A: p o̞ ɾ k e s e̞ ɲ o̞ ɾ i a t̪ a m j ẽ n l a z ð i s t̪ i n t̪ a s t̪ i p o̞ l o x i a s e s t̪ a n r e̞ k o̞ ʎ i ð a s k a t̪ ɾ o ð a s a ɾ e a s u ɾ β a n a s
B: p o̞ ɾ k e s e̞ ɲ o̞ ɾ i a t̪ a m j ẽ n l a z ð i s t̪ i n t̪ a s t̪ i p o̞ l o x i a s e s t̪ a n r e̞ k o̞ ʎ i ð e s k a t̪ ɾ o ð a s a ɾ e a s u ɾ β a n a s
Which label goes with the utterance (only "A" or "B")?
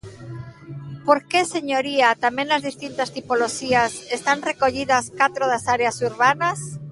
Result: A